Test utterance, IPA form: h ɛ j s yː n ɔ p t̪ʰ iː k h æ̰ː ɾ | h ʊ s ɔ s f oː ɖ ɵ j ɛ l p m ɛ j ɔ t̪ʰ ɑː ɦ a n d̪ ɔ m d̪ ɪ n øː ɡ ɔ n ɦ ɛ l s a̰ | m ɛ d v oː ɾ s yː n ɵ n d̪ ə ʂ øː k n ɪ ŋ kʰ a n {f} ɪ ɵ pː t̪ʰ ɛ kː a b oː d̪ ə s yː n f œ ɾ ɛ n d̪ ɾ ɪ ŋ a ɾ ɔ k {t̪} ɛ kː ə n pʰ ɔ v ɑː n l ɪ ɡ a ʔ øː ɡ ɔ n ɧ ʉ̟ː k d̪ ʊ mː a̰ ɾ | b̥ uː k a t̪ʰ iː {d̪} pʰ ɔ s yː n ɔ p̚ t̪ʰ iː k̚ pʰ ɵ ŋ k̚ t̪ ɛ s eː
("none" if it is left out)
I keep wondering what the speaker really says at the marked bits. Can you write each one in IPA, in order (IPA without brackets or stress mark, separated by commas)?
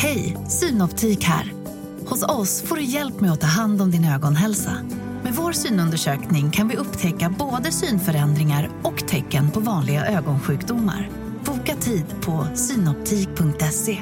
v, t̪ʰ, d̪